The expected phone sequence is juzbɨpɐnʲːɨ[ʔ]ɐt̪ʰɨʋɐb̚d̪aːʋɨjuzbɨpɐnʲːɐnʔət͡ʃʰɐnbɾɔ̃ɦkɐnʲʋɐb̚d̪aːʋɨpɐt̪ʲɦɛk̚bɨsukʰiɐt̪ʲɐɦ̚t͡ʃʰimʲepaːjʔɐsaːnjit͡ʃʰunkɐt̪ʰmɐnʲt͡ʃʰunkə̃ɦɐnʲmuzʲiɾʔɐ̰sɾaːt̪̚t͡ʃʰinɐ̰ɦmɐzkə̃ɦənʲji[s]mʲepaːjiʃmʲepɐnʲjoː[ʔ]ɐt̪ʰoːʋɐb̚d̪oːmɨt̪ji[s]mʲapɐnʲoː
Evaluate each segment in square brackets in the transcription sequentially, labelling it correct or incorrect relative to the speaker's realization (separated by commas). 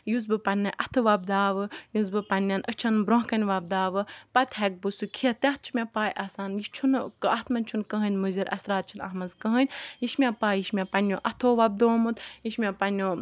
correct, incorrect, correct, incorrect